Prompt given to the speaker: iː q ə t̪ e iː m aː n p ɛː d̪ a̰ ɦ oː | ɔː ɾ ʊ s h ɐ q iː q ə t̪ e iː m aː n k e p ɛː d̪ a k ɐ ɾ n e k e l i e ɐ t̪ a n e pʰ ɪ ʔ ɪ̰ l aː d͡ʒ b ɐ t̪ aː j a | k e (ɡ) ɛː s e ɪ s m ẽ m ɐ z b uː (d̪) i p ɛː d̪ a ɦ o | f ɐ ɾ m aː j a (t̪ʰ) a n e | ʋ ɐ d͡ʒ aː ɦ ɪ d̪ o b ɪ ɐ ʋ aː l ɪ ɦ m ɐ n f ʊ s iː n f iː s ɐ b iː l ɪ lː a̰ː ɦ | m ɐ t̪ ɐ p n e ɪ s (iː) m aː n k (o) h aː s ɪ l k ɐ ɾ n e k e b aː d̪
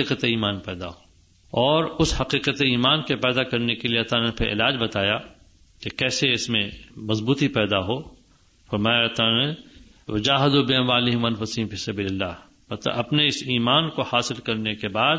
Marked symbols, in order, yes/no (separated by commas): no, no, no, yes, yes